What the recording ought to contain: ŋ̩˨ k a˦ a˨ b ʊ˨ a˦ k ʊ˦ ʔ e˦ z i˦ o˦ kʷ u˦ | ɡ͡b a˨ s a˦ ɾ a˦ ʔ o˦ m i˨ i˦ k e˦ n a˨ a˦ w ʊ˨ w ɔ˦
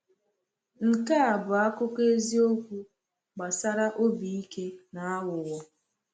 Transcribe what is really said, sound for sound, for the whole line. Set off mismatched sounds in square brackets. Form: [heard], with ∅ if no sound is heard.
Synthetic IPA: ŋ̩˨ k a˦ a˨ b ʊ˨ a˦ k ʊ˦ [k] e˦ z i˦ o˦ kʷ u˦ | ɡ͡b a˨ s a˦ ɾ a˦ ʔ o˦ [b] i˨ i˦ k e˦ n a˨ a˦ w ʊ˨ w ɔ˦